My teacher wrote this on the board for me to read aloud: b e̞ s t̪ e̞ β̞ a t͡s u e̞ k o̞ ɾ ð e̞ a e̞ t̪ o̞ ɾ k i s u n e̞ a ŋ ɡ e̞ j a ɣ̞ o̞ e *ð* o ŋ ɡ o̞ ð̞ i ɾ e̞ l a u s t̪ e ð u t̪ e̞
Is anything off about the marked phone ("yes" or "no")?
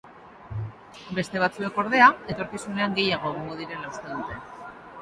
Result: yes